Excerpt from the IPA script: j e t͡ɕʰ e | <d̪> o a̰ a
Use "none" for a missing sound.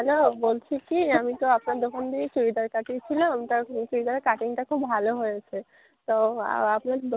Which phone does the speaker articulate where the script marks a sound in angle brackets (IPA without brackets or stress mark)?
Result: t̪